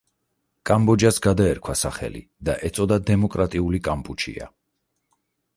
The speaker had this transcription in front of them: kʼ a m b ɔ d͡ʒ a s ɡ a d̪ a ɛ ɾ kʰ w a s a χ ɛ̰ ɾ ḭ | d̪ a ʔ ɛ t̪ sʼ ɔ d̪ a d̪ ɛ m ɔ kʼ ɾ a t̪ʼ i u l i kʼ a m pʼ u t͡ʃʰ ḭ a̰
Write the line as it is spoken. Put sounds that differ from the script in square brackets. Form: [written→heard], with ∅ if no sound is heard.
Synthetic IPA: kʼ a m b ɔ d͡ʒ a s ɡ a d̪ a ɛ ɾ kʰ w a s a χ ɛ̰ [ɾ→l] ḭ | d̪ a ʔ ɛ t̪ sʼ ɔ d̪ a d̪ ɛ m ɔ kʼ ɾ a t̪ʼ i u l i kʼ a m pʼ u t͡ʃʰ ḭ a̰

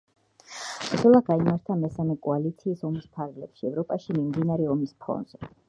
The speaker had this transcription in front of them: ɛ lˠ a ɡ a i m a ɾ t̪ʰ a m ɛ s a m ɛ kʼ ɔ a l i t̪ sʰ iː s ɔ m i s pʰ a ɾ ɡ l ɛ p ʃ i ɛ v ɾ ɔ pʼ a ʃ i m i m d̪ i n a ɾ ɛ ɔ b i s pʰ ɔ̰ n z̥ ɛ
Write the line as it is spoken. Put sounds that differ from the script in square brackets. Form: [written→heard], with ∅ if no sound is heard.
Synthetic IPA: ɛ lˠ a ɡ a i m a ɾ t̪ʰ a m ɛ s a m ɛ kʼ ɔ a l i t̪ sʰ iː s ɔ m i s pʰ a ɾ ɡ l ɛ p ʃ i ɛ v ɾ ɔ pʼ a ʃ i m i m d̪ i n a ɾ ɛ ɔ [b→m] i s pʰ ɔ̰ n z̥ ɛ

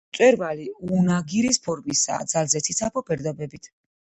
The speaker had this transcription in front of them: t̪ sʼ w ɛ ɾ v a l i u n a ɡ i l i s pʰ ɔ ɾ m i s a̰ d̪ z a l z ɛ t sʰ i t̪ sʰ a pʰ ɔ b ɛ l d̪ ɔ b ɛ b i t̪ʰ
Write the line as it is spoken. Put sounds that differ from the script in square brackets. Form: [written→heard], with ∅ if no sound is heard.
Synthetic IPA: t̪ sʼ w ɛ ɾ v a l i u n a ɡ i [l→ɾ] i s pʰ ɔ ɾ m i s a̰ d̪ z a l z ɛ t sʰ i t̪ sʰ a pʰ ɔ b ɛ [l→ɾ] d̪ ɔ b ɛ b i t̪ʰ

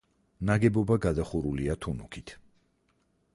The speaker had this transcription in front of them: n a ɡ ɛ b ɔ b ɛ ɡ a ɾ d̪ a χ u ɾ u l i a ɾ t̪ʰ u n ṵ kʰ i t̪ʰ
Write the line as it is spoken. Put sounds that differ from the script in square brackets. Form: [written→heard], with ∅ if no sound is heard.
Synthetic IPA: n a ɡ ɛ b ɔ b [ɛ→a] ɡ a [ɾ→∅] d̪ a χ u ɾ u l i a [ɾ→∅] t̪ʰ u n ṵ kʰ i t̪ʰ

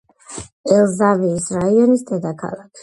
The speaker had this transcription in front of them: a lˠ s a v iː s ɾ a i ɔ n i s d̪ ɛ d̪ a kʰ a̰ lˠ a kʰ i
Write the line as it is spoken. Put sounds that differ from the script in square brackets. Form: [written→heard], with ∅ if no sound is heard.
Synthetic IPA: [a→ɛ] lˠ [s→z] a v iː s ɾ a i ɔ n i s d̪ ɛ d̪ a kʰ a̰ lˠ a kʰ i

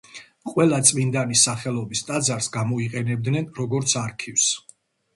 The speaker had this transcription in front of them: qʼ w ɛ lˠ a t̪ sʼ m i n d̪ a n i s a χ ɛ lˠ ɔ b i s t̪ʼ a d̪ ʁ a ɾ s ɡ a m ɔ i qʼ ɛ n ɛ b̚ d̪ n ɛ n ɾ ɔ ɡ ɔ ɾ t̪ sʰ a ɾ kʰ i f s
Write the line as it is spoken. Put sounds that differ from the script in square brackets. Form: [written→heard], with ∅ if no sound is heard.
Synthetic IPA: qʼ w ɛ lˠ a t̪ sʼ m i n d̪ a n i s a χ ɛ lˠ ɔ b i s t̪ʼ a d̪ [ʁ→z] a ɾ s ɡ a m ɔ i qʼ ɛ n ɛ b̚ d̪ n ɛ n ɾ ɔ ɡ ɔ ɾ t̪ sʰ a ɾ kʰ i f s

